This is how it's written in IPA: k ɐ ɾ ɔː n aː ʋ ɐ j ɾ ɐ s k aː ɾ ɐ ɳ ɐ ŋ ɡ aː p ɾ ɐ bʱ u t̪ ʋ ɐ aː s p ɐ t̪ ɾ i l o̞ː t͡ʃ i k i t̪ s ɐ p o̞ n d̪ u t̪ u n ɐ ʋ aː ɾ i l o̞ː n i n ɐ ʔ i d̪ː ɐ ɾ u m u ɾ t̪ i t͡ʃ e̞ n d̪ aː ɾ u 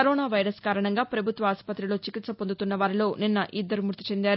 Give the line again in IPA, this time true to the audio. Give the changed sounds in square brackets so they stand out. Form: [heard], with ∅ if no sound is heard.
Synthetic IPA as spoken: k ɐ ɾ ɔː n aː ʋ ɐ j ɾ ɐ s k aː ɾ ɐ ɳ ɐ ŋ ɡ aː p ɾ ɐ bʱ u t̪ ʋ ɐ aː s p ɐ t̪ ɾ i l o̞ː t͡ʃ i k i t̪ s ɐ p o̞ n d̪ u t̪ u [nː] ɐ ʋ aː ɾ i l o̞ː n i [nː] ɐ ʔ i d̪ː ɐ ɾ u m u ɾ t̪ i t͡ʃ e̞ n d̪ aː ɾ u